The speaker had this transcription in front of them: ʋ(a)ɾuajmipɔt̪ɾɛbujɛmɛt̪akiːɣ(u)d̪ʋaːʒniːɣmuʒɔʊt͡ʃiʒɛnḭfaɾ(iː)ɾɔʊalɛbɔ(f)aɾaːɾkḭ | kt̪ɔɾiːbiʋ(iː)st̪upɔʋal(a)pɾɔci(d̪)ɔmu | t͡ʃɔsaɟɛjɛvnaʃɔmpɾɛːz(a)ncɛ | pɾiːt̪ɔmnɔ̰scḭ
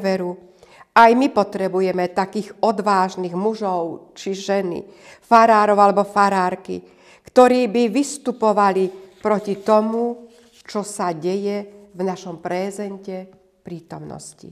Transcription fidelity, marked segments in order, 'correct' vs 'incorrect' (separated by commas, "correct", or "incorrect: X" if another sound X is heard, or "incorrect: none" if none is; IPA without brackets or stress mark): incorrect: ɛ, incorrect: ɔ, incorrect: aː, correct, incorrect: i, incorrect: i, incorrect: t̪, incorrect: ɛ